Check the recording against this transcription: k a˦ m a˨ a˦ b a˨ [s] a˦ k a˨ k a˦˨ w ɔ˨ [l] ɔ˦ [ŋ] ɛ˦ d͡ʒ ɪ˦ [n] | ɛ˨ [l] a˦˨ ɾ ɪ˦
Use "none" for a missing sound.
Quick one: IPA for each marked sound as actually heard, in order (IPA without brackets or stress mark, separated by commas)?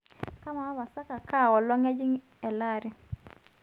s, l, ŋ, ŋ, l